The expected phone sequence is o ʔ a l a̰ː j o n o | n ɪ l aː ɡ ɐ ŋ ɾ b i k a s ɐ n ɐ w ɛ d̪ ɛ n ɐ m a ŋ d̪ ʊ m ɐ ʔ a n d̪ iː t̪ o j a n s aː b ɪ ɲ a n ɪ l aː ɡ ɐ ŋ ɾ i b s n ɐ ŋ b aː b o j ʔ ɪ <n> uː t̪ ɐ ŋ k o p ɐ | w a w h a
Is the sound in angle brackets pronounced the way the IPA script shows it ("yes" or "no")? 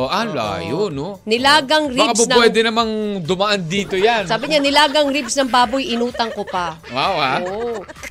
yes